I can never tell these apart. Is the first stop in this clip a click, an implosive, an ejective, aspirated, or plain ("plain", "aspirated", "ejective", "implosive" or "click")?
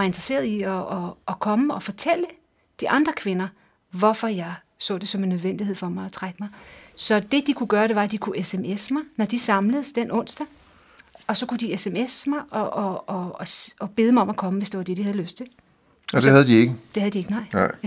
plain